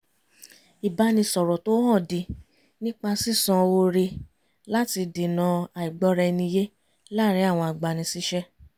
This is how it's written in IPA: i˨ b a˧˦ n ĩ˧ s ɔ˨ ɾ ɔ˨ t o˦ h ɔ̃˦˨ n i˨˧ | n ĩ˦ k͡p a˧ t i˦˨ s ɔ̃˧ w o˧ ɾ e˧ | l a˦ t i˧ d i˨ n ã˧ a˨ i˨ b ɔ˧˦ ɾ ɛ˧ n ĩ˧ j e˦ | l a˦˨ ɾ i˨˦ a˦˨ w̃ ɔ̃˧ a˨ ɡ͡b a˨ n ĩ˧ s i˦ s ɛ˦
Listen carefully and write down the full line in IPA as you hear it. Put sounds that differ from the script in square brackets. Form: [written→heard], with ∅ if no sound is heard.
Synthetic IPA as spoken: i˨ b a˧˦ n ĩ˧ s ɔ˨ ɾ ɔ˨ t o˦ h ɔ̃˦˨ [n→d] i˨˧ | n ĩ˦ k͡p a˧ [t→s] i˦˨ s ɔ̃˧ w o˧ ɾ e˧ | l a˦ t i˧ d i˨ n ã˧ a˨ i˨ [b→ɡ͡b] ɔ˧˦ ɾ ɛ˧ n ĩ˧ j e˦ | l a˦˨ ɾ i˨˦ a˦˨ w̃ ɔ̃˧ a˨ ɡ͡b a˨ n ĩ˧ s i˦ [s→ʃ] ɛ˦